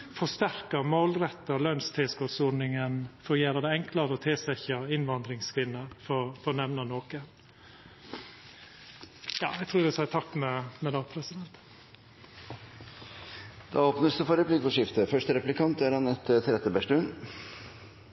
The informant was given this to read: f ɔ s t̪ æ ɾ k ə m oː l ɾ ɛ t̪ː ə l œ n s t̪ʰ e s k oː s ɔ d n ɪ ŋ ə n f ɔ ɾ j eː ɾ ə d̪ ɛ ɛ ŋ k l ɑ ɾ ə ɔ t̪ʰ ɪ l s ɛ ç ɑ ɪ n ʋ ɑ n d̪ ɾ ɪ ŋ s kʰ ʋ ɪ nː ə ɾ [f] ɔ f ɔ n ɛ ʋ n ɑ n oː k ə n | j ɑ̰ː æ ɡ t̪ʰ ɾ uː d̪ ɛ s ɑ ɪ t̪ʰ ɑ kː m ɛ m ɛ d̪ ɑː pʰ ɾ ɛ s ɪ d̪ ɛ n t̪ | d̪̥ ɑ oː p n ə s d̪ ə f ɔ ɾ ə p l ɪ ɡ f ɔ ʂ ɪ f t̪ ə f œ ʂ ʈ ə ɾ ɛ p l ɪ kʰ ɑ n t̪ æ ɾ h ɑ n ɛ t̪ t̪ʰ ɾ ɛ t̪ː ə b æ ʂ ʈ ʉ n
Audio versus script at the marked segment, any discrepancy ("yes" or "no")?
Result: no